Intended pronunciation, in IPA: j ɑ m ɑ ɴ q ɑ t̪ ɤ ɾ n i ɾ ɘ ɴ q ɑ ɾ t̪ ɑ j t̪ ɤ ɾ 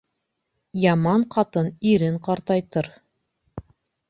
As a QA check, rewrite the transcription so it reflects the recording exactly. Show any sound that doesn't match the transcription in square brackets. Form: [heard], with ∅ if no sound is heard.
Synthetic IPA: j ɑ m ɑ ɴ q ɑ t̪ ɤ [∅] n i ɾ ɘ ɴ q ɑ ɾ t̪ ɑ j t̪ ɤ ɾ